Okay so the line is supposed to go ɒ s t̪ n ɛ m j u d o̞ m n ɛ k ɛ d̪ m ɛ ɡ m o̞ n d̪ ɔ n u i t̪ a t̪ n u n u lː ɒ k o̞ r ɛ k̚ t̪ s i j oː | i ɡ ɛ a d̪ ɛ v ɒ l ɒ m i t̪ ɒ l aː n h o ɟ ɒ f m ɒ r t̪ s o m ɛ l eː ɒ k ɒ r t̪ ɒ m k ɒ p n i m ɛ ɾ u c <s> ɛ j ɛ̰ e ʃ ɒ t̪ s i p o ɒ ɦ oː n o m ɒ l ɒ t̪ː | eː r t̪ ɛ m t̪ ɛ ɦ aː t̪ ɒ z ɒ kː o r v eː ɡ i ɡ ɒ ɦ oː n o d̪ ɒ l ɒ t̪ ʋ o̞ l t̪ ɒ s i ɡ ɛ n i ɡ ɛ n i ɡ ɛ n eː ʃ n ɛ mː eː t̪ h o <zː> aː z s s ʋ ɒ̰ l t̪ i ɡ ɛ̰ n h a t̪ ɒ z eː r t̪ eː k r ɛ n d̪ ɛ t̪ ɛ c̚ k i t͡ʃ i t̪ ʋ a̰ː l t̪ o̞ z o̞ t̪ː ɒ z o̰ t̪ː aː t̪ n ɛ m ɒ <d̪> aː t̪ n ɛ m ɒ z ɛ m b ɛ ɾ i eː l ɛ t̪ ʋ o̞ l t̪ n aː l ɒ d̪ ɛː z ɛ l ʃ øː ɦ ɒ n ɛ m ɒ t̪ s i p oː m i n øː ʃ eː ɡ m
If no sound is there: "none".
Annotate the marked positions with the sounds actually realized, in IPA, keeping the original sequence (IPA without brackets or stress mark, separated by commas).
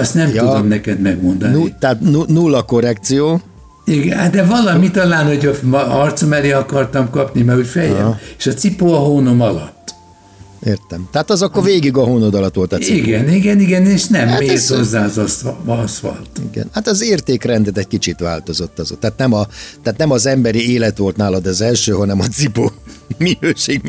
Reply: f, zː, t̪